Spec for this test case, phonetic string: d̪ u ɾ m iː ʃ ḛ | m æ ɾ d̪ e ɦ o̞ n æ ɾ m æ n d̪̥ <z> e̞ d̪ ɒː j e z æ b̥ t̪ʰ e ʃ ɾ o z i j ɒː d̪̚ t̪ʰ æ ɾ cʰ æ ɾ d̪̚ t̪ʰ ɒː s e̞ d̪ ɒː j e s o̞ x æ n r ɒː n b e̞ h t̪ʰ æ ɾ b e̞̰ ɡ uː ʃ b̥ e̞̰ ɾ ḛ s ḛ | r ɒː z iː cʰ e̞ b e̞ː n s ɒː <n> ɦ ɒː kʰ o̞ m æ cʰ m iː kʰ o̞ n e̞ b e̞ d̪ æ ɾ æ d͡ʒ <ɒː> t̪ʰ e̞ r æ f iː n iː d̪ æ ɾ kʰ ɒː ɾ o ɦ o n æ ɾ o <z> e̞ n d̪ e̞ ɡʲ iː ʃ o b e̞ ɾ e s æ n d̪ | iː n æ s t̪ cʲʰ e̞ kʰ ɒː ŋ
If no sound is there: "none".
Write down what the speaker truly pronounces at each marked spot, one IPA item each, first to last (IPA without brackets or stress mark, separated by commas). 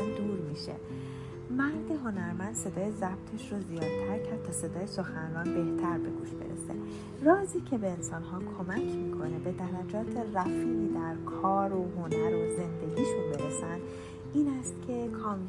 s, n, ɒː, z